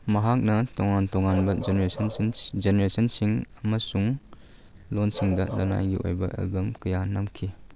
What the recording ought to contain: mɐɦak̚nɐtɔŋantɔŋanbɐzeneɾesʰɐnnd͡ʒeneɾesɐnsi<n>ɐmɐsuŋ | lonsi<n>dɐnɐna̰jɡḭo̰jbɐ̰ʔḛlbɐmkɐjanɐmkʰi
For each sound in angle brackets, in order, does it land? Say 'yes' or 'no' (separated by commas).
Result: no, no